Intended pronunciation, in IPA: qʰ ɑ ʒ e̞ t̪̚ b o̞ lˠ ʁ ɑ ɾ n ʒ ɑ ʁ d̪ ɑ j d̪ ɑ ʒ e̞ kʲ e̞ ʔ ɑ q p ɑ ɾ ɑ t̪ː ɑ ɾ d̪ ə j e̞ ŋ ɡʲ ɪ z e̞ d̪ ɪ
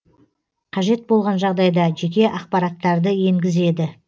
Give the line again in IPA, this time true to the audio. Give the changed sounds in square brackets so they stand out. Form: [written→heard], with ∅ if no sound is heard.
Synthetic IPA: qʰ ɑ ʒ e̞ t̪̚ b o̞ lˠ ʁ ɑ [ɾ→∅] n ʒ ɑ ʁ d̪ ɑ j d̪ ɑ ʒ e̞ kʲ e̞ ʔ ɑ q p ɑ ɾ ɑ t̪ː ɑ ɾ d̪ ə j e̞ ŋ ɡʲ ɪ z e̞ d̪ ɪ